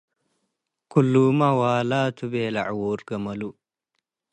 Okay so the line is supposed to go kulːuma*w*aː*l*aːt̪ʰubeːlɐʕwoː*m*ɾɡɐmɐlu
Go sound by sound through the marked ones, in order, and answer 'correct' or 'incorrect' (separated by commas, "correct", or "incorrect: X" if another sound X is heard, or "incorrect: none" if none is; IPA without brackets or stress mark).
correct, correct, incorrect: none